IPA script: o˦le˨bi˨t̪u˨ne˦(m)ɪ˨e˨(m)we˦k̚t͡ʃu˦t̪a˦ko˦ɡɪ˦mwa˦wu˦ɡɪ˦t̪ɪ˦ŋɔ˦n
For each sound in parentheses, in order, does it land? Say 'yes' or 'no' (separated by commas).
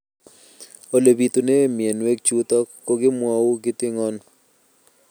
yes, no